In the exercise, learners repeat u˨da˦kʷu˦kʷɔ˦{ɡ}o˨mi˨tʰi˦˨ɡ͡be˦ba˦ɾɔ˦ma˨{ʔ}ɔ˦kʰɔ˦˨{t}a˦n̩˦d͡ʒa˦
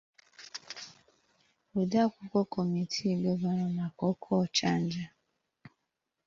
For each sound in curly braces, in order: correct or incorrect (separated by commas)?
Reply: incorrect, incorrect, incorrect